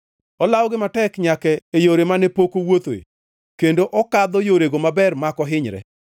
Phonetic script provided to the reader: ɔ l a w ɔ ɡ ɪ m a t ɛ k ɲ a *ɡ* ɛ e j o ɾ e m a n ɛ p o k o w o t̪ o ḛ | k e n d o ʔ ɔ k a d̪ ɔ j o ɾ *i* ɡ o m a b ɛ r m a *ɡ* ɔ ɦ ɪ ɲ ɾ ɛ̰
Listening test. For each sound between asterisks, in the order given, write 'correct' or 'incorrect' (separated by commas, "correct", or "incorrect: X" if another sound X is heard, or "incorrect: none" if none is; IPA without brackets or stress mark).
incorrect: k, incorrect: e, incorrect: k